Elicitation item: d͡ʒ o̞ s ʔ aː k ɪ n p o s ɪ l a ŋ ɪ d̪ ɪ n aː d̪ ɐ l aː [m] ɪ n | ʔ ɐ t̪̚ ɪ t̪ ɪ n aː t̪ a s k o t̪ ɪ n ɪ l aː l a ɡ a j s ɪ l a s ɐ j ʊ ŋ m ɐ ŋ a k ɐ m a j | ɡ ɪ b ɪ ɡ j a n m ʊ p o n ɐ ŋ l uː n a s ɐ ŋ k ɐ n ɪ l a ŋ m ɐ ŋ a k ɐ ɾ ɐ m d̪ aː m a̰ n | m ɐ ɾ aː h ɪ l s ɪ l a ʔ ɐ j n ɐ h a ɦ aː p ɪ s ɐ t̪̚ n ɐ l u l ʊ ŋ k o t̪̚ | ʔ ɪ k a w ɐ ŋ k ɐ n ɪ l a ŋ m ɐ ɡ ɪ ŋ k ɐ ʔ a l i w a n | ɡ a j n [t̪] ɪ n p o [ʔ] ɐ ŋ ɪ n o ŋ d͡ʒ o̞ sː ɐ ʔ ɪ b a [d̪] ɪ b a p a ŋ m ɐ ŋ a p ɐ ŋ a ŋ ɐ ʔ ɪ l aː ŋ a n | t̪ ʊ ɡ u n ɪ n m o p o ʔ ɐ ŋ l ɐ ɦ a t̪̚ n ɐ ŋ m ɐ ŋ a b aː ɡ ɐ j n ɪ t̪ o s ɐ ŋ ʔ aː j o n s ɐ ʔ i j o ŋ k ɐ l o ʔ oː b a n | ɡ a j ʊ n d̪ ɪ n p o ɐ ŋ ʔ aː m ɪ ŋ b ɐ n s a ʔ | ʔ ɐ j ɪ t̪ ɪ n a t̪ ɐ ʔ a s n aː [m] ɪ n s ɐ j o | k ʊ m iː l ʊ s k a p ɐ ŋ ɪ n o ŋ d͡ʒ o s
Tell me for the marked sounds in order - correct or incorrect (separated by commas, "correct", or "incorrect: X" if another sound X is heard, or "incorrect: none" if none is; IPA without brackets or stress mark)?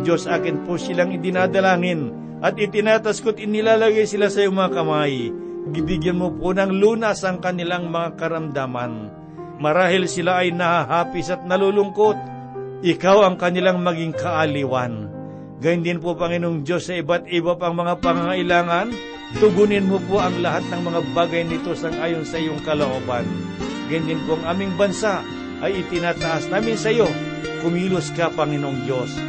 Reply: incorrect: ŋ, incorrect: d̪, incorrect: p, incorrect: t̪, correct